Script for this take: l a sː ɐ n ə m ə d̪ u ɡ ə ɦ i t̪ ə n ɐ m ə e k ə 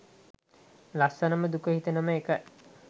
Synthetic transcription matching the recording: l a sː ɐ n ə m ə d̪ u k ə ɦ i t̪ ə n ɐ m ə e k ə